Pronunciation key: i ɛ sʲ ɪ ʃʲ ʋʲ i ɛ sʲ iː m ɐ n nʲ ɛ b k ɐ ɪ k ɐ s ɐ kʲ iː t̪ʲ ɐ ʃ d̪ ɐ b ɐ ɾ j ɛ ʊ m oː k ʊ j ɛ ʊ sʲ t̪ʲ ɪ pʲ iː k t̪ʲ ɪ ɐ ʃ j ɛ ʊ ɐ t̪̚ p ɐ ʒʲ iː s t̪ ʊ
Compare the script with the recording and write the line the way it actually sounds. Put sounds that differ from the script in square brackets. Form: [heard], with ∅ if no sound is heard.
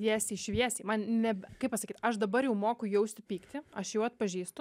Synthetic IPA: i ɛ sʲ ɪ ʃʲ ʋʲ i ɛ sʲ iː m ɐ n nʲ ɛ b k ɐ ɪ [p] ɐ s ɐ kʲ iː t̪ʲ ɐ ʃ d̪ ɐ b ɐ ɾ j ɛ ʊ m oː k ʊ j ɛ ʊ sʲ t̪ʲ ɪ pʲ iː k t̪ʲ ɪ ɐ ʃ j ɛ ʊ ɐ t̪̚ p ɐ ʒʲ iː s t̪ ʊ